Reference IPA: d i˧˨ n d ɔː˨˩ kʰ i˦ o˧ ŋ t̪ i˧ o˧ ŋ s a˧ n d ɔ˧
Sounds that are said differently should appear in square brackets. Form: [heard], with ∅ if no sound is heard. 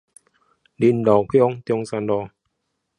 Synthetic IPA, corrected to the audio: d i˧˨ n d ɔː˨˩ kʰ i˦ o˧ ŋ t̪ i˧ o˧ ŋ s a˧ n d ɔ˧